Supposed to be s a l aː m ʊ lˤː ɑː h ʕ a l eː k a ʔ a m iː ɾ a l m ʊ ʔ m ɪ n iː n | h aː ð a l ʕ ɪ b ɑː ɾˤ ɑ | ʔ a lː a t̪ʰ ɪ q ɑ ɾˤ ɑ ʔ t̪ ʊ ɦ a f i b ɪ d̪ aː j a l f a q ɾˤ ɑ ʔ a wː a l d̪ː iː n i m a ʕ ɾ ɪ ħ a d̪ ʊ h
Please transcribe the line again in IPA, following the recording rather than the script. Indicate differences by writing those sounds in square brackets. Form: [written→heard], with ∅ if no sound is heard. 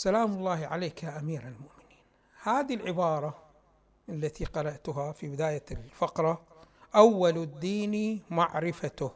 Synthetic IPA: s a l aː m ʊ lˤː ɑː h ʕ a l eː k a ʔ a m iː ɾ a l m ʊ ʔ m ɪ n iː n | h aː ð [a→i] l ʕ ɪ b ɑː ɾˤ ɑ | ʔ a lː a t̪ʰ [ɪ→i] q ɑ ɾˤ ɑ ʔ t̪ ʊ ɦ a f i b ɪ d̪ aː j a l f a q ɾˤ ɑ ʔ a wː a l d̪ː iː n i m a ʕ ɾ ɪ [ħ→f] a [d̪→t̪] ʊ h